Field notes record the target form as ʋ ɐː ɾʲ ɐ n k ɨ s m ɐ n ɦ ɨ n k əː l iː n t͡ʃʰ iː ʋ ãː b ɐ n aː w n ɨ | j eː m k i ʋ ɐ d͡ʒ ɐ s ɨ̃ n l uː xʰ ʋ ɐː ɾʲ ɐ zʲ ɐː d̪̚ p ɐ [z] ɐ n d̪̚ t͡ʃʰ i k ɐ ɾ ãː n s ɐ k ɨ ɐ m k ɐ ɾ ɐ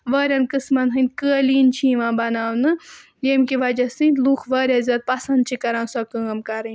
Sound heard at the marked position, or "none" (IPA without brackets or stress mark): s